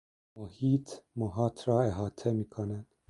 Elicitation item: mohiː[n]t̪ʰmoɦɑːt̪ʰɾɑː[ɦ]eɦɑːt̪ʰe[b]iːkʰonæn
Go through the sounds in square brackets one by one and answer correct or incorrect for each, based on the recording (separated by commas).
incorrect, incorrect, incorrect